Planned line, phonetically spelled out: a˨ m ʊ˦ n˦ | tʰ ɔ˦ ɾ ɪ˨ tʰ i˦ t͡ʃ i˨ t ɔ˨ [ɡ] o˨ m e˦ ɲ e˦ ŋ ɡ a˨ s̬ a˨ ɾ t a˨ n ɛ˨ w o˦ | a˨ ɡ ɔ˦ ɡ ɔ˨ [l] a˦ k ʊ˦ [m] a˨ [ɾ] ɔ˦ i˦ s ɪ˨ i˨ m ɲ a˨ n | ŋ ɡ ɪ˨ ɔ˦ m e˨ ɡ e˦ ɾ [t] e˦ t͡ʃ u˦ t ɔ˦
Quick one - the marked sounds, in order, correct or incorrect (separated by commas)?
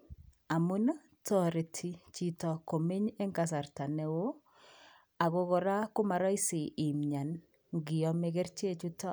incorrect, incorrect, correct, correct, incorrect